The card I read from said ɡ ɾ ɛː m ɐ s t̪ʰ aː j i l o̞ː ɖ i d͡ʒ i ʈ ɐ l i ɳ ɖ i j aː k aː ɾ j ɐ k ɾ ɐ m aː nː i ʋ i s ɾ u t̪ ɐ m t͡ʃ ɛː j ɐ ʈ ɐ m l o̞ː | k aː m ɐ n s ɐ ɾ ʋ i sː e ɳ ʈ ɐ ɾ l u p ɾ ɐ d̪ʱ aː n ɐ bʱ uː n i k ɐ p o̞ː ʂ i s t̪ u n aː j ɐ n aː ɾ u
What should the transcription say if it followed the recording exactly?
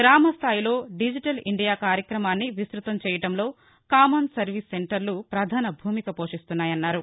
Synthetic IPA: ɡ ɾ aː m ɐ s t̪ʰ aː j i l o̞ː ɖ i d͡ʒ i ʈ ɐ l i ɳ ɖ i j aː k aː ɾ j ɐ k ɾ ɐ m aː nː i ʋ i s ɾ u t̪ ɐ m t͡ʃ ɛː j ɐ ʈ ɐ m l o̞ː | k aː m ɐ n s ɐ ɾ ʋ i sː e ɳ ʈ ɐ ɾ l u p ɾ ɐ d̪ʱ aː n ɐ bʱ uː m i k ɐ p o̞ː ʂ i s t̪ u nː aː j ɐ nː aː ɾ u